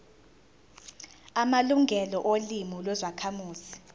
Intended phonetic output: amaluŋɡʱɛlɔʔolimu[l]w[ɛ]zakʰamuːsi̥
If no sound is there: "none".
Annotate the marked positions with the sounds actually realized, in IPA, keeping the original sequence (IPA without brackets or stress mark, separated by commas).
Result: l, ɛ